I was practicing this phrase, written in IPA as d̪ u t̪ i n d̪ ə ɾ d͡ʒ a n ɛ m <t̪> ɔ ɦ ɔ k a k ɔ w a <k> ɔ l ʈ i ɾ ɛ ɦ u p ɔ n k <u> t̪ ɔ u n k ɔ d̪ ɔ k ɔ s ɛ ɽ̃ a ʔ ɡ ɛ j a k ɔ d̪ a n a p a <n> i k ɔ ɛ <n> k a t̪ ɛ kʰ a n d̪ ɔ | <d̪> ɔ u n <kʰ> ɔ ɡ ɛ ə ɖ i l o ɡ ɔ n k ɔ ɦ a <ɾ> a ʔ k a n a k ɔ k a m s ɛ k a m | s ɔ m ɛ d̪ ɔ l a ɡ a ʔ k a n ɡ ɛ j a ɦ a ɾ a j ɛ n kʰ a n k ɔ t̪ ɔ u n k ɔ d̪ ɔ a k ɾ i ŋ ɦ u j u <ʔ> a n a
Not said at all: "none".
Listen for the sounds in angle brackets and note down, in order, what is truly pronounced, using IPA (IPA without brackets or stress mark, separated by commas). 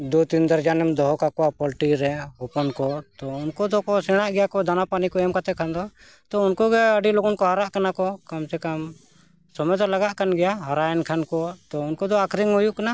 d̪, p, ɔ, n, m, t̪, k, ɾ, k